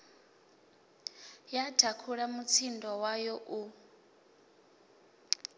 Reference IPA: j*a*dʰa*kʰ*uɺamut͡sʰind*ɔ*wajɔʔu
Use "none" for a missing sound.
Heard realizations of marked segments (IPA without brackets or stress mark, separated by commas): a, kʰ, ɔ